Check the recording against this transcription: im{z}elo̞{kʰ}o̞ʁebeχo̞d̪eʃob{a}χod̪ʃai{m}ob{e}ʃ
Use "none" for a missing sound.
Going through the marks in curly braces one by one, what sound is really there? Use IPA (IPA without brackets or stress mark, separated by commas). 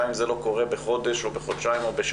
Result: z, k, e, m, e